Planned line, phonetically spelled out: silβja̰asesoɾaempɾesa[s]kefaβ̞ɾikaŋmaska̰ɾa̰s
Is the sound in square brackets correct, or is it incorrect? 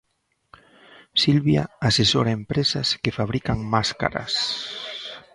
correct